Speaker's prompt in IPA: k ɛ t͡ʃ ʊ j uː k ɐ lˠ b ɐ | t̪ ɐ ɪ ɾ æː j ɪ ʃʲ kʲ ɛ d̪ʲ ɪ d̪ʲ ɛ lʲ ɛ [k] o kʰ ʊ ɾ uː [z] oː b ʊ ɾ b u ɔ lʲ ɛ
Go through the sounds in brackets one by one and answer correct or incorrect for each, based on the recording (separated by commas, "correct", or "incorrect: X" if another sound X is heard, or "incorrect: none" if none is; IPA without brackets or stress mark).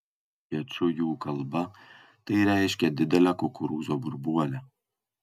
correct, correct